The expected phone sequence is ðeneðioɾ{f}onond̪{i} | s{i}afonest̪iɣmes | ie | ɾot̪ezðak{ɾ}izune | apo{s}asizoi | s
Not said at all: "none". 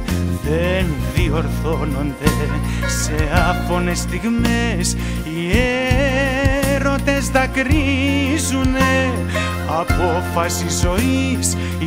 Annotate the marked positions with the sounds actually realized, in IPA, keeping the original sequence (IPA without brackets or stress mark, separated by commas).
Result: θ, e, e, ɾ, f